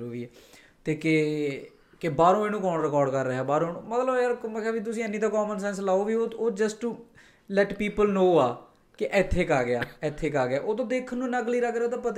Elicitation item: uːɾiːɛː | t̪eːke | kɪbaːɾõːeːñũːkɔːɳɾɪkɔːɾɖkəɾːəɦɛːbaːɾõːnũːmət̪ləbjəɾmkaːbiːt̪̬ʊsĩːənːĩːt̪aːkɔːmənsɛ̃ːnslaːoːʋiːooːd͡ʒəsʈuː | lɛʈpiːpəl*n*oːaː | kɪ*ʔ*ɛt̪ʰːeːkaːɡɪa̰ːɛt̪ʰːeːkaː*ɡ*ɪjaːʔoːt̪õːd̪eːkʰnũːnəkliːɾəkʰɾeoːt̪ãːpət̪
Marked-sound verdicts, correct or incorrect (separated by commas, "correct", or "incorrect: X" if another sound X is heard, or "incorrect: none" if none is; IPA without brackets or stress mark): correct, correct, correct